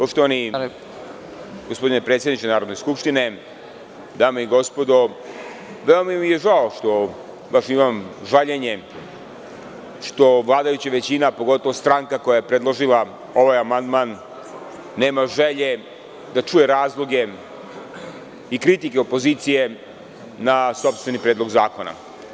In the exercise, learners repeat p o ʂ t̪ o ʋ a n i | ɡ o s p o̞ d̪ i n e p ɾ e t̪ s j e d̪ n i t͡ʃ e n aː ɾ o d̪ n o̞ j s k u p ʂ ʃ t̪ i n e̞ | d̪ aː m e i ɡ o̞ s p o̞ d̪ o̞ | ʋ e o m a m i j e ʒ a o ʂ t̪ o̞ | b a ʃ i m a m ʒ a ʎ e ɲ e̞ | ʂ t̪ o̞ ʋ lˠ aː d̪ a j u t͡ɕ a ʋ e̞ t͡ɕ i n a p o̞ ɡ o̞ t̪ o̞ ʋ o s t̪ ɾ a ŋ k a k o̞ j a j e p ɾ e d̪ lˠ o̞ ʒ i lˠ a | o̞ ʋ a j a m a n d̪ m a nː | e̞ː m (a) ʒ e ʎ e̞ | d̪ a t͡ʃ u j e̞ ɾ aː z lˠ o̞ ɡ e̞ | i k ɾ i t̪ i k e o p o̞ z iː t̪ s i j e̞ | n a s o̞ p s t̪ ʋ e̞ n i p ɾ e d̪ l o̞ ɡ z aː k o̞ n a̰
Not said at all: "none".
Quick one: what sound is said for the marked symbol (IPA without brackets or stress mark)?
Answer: a